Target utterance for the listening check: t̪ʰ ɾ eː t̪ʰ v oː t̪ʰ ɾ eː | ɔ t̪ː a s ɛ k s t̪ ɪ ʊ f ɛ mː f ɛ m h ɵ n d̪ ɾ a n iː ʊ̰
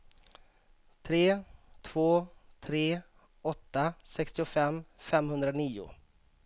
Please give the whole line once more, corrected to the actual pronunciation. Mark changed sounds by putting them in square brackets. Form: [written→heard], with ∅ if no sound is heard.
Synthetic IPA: t̪ʰ ɾ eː t̪ʰ v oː t̪ʰ ɾ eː | ɔ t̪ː a s ɛ k s t̪ ɪ ʊ f ɛ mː f ɛ m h ɵ n d̪ ɾ a n iː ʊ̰